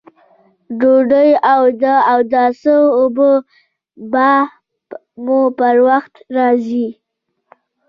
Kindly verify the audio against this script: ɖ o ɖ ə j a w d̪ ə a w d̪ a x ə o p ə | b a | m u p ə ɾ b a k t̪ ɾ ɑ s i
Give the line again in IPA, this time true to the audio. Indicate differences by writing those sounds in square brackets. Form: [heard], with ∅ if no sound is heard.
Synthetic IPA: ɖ o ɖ ə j a w d̪ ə a w d̪ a [s] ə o [b] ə | b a | m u p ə ɾ [w] a [x] t̪ ɾ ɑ [z] i